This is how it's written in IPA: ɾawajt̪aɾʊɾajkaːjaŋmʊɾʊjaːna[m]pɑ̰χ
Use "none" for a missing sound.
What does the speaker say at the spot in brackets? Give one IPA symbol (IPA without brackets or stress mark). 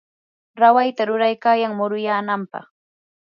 m